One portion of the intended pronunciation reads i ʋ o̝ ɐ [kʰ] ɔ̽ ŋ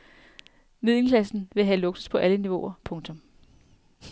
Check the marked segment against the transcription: incorrect: pʰ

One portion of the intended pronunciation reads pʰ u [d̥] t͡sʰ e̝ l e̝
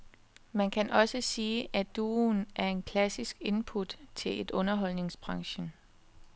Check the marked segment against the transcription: correct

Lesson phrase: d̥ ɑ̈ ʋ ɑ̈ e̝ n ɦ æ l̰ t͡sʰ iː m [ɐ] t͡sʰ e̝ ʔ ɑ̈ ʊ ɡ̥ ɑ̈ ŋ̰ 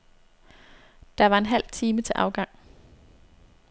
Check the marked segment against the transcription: incorrect: ə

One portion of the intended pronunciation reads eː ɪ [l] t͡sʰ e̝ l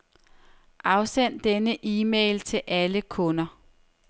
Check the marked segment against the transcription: correct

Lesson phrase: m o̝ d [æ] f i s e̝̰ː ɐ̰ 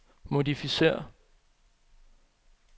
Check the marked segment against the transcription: incorrect: i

